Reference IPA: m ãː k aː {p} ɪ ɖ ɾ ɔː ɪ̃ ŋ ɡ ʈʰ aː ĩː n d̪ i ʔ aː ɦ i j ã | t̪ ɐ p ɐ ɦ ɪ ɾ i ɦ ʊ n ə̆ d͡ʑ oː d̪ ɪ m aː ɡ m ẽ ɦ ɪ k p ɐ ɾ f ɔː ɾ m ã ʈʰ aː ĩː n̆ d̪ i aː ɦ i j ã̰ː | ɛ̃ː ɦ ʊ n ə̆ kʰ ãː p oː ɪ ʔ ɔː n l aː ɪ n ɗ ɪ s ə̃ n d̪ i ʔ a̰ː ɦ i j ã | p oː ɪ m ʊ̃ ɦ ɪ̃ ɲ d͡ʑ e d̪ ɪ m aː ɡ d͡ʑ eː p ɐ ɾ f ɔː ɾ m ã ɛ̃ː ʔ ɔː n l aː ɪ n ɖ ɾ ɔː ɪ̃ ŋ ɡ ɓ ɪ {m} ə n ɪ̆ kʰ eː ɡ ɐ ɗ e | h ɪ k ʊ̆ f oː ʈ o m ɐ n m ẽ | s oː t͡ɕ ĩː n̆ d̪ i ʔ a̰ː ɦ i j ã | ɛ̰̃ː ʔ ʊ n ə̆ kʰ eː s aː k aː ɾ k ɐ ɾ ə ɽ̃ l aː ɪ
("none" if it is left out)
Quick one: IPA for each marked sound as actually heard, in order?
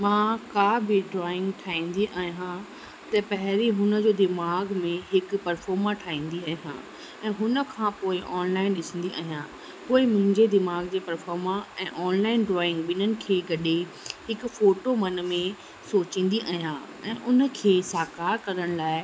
b, n

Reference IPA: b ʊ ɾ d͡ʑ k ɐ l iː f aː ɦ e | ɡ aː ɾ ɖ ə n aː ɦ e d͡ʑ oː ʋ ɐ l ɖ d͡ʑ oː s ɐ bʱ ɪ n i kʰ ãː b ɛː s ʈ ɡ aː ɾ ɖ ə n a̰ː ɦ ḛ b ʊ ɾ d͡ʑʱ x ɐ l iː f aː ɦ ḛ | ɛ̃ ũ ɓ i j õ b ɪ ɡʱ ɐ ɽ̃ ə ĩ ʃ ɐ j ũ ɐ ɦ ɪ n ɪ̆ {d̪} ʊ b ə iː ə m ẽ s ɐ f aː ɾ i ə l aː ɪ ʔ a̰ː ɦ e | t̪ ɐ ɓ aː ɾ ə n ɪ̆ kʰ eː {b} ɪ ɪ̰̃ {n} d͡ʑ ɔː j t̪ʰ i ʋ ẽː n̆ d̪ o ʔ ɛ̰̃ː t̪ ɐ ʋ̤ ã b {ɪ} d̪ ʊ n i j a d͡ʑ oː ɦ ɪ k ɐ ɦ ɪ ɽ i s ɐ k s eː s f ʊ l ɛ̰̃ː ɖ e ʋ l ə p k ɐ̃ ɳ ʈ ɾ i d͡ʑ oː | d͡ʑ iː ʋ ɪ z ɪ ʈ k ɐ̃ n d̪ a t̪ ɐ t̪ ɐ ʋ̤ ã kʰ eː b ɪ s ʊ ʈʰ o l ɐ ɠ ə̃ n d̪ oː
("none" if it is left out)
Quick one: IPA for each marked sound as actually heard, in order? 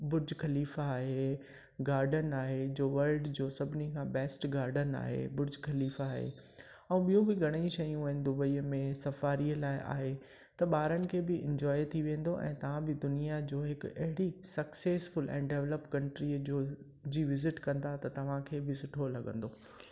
d̪, b, ɲ, ɪ

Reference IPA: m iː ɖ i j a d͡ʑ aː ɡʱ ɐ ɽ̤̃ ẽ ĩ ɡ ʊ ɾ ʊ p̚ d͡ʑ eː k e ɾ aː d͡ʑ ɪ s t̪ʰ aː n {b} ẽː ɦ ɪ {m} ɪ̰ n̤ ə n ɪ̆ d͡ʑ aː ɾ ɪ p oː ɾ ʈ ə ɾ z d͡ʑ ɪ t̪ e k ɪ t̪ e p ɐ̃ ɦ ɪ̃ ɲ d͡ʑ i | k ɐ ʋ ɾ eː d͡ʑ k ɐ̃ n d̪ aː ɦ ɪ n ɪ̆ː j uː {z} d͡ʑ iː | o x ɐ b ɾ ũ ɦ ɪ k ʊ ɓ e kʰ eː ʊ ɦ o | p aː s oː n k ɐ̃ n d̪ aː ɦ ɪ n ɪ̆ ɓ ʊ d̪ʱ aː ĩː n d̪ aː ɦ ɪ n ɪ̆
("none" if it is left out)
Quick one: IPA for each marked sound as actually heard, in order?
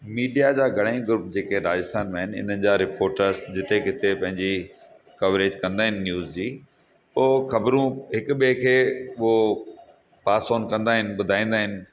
m, n, z

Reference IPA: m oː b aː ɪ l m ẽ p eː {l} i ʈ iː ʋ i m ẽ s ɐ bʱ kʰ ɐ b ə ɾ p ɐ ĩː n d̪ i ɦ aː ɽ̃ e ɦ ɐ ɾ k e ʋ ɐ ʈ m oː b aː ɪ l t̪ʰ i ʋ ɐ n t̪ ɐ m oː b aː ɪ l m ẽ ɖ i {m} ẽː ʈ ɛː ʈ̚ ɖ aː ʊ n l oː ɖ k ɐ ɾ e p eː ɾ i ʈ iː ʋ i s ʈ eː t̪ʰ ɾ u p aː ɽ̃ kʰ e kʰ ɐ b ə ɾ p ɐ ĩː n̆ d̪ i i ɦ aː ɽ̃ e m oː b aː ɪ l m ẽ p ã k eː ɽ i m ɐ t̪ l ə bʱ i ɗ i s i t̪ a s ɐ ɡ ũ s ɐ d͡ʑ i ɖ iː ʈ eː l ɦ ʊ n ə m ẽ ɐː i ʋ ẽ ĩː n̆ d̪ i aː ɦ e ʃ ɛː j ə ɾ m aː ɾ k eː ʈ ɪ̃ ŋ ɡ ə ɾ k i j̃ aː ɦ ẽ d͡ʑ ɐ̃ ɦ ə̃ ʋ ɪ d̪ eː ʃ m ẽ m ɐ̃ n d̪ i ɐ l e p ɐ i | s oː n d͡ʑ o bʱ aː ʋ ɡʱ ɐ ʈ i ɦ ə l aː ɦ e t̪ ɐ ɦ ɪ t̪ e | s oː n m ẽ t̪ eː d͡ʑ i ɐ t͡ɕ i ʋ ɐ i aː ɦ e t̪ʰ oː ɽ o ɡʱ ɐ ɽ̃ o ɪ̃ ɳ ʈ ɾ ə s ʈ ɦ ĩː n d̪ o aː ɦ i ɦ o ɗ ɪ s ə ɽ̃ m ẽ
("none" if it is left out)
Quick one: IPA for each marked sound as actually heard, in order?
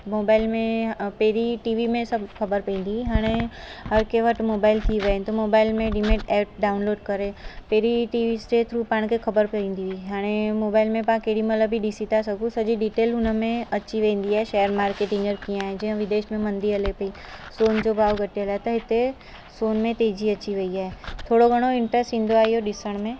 ɾ, m

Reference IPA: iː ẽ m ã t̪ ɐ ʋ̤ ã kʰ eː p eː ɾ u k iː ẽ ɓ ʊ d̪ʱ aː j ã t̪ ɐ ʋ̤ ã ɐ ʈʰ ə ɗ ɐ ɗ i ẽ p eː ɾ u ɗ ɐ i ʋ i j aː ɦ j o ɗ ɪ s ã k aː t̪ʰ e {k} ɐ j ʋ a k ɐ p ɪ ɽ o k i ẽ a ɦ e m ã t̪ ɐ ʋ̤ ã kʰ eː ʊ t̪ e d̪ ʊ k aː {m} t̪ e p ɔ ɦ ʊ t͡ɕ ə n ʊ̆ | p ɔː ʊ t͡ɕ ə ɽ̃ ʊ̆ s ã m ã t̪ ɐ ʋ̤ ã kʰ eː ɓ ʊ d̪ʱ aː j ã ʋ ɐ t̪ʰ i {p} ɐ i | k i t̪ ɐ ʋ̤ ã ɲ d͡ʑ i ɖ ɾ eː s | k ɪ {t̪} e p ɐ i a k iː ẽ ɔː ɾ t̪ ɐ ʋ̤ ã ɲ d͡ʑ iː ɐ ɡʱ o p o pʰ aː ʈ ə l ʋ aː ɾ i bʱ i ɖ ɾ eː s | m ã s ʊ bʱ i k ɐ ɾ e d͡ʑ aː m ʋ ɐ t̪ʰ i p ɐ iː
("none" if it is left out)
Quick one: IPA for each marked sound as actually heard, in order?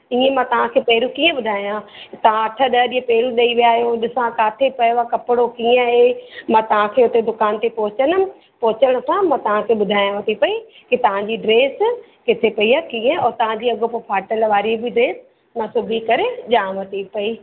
p, n, p, t̪ʰ

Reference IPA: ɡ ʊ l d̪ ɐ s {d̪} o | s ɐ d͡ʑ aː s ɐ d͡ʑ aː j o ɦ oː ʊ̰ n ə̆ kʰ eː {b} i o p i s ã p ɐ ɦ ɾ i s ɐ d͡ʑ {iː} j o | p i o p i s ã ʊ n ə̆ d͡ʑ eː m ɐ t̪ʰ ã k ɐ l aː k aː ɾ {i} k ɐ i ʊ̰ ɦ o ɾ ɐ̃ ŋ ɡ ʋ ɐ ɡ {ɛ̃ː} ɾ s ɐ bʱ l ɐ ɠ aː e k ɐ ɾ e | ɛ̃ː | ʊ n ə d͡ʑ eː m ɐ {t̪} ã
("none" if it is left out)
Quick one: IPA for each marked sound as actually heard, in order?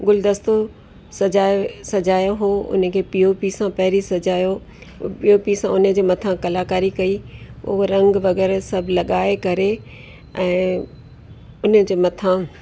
t̪, p, aː, i, ɛː, t̪ʰ

